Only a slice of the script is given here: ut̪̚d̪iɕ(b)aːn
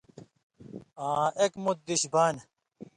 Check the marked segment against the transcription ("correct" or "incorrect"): correct